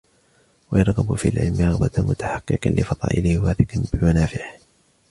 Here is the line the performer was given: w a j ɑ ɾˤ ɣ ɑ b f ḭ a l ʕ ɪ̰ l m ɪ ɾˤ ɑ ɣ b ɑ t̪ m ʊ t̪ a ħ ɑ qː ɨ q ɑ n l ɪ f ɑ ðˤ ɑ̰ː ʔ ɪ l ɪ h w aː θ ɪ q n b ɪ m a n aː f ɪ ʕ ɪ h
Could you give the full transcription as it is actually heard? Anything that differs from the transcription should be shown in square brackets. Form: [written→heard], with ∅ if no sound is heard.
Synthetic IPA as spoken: w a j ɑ ɾˤ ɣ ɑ b f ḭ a l ʕ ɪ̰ l m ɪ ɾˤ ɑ ɣ b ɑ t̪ m ʊ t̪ a ħ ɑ qː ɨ q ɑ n l ɪ f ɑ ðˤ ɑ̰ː ʔ ɪ l ɪ h w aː θ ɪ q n b ɪ m a n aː f ɪ ʕ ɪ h